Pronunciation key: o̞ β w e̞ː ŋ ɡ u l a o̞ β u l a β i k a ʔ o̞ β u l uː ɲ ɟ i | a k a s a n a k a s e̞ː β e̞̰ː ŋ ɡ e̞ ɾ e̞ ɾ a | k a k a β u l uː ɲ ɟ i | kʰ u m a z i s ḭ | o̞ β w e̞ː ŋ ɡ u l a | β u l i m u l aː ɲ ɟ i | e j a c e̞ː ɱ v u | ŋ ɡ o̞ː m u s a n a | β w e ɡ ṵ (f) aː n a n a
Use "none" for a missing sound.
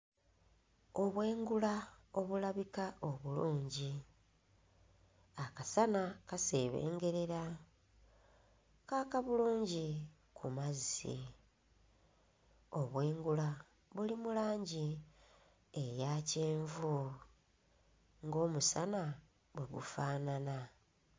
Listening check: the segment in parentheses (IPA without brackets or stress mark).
f